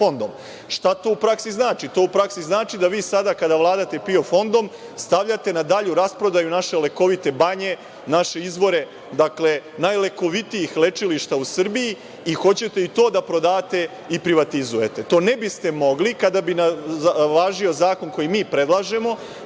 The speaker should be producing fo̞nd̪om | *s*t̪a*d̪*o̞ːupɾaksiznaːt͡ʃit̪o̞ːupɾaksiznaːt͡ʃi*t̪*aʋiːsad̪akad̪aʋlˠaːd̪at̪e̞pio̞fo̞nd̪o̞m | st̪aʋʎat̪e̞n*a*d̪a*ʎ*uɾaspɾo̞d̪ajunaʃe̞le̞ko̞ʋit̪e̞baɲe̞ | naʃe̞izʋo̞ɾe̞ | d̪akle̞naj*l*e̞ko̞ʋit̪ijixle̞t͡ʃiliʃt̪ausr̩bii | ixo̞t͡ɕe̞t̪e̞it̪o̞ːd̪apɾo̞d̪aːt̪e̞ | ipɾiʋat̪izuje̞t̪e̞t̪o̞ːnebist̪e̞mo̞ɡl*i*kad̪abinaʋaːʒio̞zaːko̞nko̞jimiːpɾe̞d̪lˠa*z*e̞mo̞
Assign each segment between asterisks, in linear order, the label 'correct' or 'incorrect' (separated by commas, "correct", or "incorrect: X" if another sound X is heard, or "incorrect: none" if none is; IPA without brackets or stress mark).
incorrect: ʃ, incorrect: t̪, incorrect: d̪, correct, correct, correct, correct, incorrect: ʒ